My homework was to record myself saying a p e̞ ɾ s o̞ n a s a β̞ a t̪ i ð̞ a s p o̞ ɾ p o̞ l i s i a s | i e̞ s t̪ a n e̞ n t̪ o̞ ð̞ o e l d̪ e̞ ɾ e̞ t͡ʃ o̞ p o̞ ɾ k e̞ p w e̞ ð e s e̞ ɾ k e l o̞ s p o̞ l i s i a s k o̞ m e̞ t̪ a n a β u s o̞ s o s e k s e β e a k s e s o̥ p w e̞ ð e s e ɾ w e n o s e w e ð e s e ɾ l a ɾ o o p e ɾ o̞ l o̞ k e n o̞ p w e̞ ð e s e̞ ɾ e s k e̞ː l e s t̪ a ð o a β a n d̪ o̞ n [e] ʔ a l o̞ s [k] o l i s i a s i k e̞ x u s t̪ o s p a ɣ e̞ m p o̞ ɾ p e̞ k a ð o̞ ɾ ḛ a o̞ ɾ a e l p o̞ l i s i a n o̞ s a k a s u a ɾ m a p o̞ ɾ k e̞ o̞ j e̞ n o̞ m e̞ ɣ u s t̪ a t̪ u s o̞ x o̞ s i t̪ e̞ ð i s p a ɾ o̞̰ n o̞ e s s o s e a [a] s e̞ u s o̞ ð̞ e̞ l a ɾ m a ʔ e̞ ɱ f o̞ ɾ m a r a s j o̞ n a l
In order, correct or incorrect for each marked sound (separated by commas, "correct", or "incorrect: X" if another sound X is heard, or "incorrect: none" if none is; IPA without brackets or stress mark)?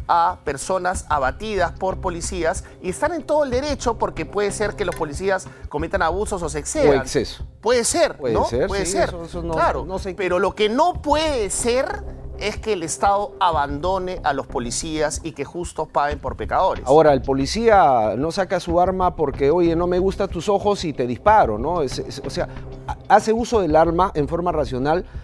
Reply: correct, incorrect: p, correct